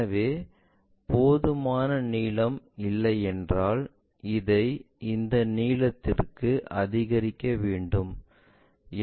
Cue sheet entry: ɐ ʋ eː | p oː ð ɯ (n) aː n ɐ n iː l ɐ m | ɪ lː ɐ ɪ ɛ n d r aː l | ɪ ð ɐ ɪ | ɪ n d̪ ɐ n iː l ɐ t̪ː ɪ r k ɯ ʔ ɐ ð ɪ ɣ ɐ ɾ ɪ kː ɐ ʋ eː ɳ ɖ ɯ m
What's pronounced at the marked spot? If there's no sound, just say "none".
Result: m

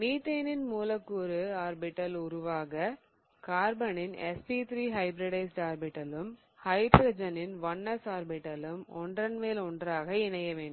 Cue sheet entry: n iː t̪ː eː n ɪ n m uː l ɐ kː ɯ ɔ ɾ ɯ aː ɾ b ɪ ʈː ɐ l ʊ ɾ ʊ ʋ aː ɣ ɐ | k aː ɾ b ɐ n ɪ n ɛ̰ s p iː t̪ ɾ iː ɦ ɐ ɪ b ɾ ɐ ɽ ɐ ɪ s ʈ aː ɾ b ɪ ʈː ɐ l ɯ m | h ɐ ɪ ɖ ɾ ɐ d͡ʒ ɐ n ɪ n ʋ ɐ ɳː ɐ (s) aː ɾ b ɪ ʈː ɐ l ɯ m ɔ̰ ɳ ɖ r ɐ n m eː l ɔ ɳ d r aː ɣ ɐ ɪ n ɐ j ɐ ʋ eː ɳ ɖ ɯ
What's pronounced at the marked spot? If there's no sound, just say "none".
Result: s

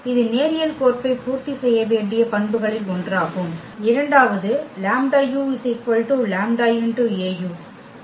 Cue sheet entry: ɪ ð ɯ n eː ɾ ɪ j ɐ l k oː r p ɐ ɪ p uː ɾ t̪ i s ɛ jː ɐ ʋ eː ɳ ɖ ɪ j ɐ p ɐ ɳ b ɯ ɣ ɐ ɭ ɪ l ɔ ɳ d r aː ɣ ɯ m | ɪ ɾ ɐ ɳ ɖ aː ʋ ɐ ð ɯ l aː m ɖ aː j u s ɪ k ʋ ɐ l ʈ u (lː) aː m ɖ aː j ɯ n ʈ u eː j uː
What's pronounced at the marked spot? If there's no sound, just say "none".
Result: l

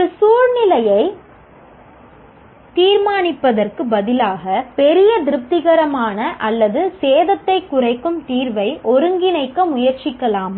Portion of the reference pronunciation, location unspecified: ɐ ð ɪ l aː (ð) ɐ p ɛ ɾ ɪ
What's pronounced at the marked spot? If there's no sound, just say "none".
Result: ɣ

